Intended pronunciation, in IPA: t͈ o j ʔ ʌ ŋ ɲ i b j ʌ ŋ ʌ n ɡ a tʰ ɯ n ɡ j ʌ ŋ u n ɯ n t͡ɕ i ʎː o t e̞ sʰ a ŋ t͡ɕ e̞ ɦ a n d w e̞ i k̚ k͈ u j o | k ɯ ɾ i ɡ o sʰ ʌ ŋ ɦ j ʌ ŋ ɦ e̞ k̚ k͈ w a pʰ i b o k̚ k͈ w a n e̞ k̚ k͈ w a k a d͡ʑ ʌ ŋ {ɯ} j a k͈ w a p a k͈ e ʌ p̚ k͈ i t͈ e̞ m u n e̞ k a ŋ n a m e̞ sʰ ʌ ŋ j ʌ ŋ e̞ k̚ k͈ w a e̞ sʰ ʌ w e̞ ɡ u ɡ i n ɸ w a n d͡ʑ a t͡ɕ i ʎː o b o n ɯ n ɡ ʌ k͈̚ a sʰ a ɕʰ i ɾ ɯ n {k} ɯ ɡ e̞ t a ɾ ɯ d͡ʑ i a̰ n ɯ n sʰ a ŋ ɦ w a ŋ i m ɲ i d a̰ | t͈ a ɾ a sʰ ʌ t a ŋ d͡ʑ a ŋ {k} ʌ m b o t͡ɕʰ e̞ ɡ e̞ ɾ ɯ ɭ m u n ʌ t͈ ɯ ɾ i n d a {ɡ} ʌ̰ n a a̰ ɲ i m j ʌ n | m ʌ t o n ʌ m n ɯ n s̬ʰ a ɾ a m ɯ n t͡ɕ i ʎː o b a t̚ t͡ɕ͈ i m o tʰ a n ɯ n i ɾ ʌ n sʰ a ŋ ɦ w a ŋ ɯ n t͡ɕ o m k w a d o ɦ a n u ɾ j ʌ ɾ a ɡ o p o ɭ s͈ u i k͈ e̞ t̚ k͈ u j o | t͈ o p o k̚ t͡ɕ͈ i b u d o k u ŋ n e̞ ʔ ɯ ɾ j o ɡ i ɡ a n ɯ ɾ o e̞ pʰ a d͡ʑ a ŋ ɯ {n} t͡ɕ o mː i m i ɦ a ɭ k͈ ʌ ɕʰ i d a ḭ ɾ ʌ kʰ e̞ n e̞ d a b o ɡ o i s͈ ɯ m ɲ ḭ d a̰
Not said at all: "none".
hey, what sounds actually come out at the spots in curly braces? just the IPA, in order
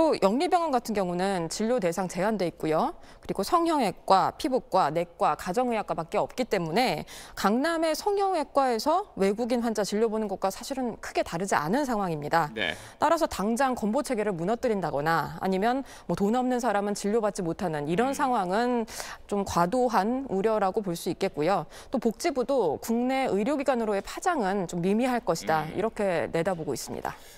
ɯ, kʰ, k, ɡ, n

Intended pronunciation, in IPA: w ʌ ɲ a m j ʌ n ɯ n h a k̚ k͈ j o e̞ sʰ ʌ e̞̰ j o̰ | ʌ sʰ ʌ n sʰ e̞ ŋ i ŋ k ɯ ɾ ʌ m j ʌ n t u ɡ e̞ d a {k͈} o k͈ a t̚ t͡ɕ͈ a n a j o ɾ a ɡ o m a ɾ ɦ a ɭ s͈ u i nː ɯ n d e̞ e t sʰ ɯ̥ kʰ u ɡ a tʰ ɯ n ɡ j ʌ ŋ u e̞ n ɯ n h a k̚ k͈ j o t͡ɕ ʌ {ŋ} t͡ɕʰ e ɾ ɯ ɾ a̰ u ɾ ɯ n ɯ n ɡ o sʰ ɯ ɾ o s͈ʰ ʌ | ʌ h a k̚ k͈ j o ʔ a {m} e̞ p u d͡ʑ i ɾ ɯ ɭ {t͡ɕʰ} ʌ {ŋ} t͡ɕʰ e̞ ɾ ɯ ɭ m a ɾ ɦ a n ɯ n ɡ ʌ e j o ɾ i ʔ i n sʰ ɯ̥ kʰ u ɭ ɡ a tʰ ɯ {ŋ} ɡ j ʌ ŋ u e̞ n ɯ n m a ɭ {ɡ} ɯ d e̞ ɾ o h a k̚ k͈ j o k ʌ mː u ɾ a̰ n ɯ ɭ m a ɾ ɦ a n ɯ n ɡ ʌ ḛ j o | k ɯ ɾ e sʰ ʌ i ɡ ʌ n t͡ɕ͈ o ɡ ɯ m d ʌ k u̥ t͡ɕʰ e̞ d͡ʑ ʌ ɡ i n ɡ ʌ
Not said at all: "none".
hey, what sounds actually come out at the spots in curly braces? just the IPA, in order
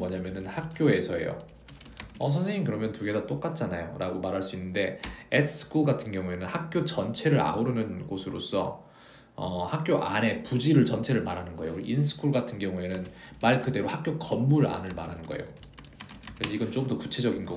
t͈, n, n, t͡ɕ, n, n, k

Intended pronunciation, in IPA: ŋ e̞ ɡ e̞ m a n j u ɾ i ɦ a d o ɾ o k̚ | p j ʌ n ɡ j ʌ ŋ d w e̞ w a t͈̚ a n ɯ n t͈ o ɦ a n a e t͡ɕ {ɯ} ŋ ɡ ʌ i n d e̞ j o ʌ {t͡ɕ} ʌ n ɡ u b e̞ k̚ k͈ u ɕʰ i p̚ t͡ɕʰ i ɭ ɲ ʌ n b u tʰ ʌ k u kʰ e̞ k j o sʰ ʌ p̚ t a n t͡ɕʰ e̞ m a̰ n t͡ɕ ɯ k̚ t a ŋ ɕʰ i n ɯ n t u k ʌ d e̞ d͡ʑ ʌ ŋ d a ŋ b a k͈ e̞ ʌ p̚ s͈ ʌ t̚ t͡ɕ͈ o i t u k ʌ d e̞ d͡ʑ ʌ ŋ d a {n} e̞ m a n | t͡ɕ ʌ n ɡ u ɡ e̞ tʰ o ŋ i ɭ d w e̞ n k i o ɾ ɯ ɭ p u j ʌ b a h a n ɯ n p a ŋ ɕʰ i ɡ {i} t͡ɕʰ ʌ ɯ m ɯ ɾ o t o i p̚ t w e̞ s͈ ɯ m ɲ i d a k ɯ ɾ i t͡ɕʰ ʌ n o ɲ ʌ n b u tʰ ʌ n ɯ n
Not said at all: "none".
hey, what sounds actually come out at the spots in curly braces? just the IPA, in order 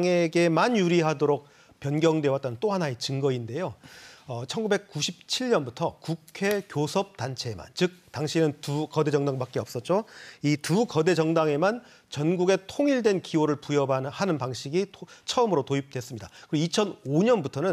ɯ, t͡ɕʰ, ŋ, i

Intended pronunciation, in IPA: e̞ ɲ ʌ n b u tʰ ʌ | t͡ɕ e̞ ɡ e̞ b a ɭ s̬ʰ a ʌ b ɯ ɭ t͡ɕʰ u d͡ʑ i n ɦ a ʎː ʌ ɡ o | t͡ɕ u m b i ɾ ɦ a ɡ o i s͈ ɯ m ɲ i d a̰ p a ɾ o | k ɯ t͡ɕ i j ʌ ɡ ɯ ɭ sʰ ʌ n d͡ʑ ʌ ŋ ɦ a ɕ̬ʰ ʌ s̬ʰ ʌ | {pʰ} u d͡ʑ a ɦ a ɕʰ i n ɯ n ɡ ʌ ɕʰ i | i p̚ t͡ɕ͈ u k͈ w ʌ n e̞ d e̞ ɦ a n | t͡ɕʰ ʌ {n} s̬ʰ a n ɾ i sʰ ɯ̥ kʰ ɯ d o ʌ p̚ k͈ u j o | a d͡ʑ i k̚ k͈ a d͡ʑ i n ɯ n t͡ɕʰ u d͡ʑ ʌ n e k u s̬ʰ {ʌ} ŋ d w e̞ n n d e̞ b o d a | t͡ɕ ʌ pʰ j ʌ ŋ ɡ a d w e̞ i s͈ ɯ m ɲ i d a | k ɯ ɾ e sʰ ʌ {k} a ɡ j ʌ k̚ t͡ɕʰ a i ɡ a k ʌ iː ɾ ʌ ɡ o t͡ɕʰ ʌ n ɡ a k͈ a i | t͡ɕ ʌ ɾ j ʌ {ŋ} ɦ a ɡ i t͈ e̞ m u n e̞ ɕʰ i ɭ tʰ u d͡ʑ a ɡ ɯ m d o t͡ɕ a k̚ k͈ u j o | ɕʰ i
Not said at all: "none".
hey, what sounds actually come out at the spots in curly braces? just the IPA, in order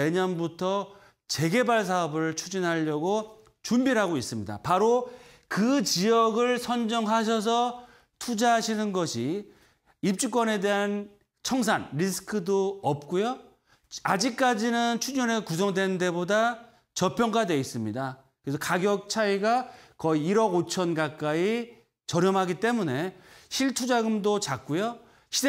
tʰ, ŋ, ʌ, k, m

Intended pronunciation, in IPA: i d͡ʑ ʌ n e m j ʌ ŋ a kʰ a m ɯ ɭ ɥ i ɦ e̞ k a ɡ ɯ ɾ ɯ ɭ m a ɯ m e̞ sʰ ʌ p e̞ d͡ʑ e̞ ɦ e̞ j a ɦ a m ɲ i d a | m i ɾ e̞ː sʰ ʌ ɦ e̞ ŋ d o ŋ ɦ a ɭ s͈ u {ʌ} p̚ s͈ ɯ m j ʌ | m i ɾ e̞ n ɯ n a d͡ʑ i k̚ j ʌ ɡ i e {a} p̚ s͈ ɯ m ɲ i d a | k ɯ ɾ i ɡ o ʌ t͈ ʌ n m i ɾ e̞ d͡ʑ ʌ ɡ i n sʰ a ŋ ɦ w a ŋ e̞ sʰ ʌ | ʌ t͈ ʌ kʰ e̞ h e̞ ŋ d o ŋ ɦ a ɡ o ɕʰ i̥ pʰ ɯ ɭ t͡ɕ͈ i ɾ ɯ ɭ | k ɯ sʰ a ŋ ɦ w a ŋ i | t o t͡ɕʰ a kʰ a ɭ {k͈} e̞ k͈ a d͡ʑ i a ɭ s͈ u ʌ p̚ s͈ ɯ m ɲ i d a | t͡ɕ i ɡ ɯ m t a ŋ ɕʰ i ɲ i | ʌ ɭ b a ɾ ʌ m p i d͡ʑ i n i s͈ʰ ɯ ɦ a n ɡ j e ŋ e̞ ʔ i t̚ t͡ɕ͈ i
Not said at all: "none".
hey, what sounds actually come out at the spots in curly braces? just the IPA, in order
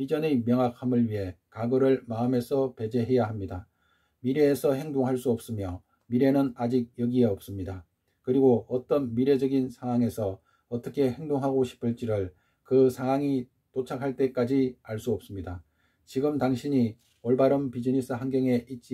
ʌ, ʌ, t͈

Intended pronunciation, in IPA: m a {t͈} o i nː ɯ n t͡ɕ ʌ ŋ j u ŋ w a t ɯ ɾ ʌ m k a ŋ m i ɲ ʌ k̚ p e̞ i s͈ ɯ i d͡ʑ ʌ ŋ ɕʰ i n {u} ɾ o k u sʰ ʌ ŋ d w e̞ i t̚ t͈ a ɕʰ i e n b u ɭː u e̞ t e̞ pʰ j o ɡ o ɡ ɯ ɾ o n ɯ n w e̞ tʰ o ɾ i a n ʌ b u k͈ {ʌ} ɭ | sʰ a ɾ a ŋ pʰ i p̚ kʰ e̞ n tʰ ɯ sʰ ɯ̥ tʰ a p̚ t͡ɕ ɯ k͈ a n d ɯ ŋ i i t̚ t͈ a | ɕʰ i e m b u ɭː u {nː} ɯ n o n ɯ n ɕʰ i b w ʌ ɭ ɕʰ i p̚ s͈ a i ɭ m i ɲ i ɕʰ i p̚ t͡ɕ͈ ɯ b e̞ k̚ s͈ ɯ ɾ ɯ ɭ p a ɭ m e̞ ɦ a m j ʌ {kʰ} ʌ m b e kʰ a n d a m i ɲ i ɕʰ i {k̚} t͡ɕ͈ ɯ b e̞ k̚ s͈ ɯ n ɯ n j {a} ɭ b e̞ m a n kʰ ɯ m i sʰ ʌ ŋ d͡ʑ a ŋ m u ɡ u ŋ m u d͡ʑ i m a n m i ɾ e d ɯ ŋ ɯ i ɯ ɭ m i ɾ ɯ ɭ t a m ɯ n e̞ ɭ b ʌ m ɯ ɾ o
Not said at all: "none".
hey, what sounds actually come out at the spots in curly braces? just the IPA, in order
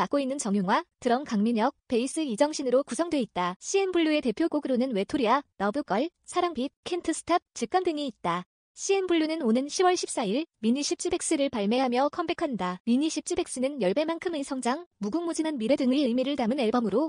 k͈, ɯ, ʌ, n, kʰ, p̚, ʌ

